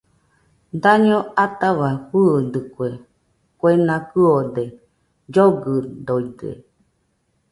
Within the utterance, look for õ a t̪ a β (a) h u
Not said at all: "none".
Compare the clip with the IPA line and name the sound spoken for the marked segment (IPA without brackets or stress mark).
a